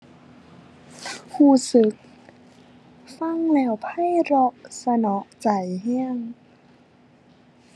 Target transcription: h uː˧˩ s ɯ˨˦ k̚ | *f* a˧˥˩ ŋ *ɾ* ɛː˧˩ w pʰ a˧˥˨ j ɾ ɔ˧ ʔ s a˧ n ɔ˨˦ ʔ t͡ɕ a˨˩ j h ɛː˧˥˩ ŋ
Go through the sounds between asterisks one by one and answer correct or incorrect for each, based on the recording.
correct, incorrect: l

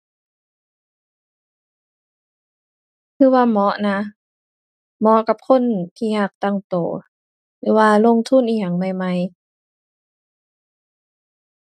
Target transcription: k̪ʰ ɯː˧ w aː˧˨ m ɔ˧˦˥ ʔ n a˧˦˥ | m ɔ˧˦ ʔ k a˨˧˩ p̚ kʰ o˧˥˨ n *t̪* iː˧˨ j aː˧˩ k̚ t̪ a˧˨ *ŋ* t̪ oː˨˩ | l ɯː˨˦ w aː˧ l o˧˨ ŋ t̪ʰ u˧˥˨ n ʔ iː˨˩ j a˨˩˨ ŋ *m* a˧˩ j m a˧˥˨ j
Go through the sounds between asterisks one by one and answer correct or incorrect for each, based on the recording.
incorrect: t̪ʰ, correct, correct

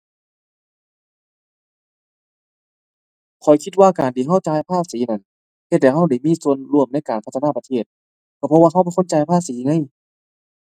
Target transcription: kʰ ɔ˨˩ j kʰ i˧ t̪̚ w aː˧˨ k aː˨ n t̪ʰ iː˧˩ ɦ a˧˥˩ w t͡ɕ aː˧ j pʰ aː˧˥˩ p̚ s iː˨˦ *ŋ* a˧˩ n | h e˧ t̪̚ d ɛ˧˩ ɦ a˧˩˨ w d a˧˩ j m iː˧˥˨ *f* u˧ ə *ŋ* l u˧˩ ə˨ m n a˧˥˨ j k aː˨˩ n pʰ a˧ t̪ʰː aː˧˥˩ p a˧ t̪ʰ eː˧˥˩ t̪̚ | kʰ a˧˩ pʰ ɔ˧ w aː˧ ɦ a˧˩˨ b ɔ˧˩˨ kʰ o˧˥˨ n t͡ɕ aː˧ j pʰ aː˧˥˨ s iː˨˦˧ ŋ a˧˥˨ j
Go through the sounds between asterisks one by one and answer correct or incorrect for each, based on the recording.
incorrect: n, incorrect: s, incorrect: n

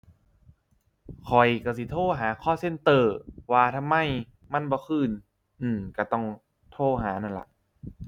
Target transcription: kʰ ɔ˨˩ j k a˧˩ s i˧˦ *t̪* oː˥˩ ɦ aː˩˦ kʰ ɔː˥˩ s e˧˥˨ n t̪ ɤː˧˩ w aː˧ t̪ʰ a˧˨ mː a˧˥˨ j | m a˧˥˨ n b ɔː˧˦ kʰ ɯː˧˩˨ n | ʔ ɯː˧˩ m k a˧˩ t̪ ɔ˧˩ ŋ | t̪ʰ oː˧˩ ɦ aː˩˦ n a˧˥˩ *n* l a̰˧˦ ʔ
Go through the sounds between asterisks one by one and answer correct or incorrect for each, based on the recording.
incorrect: t̪ʰ, correct

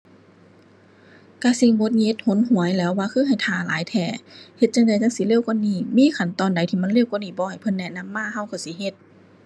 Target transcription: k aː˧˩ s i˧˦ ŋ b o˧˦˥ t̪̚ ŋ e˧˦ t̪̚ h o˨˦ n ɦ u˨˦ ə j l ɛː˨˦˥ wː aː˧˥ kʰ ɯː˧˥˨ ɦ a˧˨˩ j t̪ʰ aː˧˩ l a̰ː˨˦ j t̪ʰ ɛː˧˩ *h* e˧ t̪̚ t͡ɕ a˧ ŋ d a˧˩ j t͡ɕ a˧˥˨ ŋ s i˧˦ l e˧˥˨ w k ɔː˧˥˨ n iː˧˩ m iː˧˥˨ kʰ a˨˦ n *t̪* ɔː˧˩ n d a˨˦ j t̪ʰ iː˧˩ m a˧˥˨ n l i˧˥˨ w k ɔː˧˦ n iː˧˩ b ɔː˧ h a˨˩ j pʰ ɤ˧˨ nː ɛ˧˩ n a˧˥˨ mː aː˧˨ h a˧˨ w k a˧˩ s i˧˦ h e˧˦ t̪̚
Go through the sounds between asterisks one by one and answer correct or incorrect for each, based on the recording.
correct, correct

